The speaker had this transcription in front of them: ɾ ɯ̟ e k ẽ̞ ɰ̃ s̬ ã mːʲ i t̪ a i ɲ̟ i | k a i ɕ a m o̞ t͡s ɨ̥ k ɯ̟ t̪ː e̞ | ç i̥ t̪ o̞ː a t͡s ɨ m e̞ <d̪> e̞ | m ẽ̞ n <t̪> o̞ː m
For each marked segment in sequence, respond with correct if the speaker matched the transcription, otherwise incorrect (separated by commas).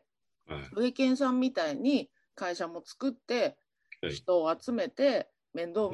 incorrect, incorrect